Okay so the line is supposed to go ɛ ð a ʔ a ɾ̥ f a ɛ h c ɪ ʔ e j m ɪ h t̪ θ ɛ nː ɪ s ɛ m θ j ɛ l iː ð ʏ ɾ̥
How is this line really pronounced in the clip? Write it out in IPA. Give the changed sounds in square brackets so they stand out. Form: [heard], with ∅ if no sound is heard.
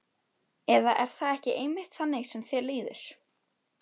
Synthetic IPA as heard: ɛ ð a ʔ [ɛ] ɾ̥ [θ] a ɛ h c ɪ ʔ e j m ɪ h t̪ θ [a] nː ɪ s ɛ m θ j ɛ l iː ð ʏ ɾ̥